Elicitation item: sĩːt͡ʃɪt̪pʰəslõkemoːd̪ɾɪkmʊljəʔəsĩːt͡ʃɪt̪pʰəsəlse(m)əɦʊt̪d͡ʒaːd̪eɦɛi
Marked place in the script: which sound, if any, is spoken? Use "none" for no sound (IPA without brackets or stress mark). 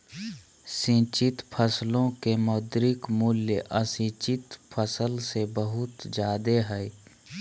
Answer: b